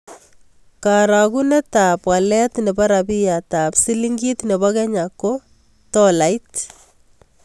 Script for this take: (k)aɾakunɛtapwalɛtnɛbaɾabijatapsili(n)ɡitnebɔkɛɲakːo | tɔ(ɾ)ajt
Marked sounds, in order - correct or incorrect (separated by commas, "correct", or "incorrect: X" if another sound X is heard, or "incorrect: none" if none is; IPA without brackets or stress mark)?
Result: correct, incorrect: ŋ, incorrect: l